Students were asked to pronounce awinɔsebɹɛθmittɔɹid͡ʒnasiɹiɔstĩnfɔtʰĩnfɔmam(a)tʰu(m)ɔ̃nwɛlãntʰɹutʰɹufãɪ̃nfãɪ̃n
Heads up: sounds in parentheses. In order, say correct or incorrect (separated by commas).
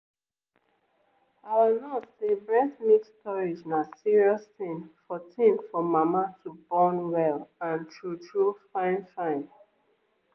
correct, incorrect